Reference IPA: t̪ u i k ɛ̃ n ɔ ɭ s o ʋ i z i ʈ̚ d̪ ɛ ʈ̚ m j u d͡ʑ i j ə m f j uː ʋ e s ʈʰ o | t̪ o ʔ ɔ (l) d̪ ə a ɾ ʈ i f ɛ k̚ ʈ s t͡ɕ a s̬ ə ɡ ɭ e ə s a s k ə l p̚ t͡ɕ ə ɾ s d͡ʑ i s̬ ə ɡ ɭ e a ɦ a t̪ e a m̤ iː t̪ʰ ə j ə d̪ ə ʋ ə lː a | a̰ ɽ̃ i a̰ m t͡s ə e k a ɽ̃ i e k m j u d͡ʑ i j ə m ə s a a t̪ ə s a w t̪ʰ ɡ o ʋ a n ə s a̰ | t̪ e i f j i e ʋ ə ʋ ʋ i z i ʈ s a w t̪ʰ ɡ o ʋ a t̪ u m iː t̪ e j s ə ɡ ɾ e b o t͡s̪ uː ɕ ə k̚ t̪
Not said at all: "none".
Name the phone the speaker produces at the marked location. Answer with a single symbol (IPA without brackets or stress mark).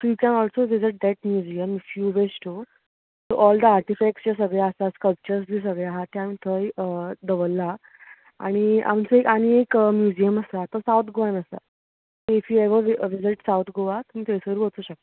l